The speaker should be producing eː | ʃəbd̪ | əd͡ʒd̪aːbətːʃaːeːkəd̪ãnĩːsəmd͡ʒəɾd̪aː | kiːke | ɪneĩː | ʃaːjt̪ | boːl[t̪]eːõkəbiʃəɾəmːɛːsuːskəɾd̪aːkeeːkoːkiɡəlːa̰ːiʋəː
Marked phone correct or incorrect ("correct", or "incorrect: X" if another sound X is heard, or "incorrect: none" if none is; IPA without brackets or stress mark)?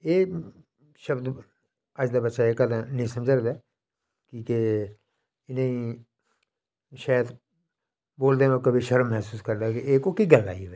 incorrect: d̪